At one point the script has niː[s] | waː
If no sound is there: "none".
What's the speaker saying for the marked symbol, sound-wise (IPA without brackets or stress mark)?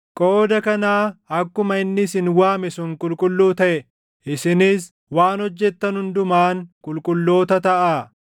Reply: s